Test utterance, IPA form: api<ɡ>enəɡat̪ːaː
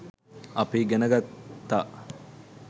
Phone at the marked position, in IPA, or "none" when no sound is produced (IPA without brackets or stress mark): ɡ